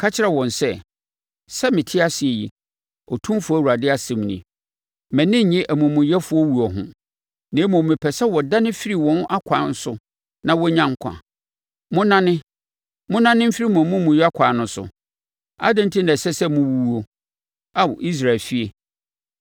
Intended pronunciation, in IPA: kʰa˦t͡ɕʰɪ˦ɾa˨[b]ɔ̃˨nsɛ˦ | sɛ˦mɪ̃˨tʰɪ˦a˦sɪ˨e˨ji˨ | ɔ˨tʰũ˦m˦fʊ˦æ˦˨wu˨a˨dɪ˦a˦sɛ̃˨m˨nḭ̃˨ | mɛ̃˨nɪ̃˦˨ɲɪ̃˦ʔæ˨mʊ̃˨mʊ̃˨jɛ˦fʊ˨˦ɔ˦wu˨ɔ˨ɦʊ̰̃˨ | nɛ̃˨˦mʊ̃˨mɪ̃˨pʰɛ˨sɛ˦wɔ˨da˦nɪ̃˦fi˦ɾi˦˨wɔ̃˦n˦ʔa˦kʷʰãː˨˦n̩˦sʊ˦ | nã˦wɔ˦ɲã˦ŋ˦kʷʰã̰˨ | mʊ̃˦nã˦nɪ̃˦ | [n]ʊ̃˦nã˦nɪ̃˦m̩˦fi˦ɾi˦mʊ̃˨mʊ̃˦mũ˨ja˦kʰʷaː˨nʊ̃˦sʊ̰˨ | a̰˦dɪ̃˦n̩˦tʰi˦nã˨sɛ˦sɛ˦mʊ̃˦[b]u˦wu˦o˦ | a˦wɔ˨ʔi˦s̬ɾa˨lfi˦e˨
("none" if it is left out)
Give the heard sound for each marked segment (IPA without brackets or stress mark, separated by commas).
w, m, w